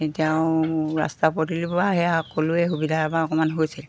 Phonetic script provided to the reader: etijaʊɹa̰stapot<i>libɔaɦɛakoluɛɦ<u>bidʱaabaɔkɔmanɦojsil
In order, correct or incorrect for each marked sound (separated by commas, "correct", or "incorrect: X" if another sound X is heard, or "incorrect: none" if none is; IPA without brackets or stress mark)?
correct, correct